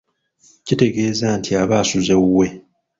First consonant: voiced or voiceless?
voiceless